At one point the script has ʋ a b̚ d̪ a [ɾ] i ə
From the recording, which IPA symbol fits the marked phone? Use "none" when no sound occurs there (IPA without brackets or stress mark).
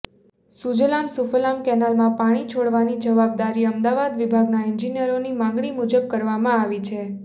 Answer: ɾ